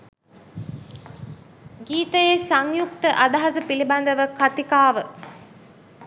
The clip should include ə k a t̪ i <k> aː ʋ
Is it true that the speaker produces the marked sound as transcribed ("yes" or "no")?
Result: yes